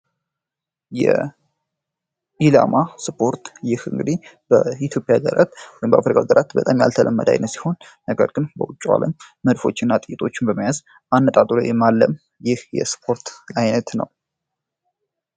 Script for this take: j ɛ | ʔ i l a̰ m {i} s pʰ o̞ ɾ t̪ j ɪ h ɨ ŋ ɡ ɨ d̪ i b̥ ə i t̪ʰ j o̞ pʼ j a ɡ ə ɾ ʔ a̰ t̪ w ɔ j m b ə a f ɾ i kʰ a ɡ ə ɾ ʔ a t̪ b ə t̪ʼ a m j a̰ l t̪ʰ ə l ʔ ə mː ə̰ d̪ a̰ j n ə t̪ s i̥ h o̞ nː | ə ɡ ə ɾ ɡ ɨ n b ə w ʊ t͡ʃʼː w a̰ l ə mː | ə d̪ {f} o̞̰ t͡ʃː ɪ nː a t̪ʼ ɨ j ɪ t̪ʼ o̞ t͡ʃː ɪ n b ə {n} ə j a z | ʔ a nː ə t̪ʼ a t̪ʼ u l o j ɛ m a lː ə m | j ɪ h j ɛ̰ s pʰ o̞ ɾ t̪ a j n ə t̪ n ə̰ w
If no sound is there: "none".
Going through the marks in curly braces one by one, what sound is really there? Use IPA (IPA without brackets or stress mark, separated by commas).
a, f, m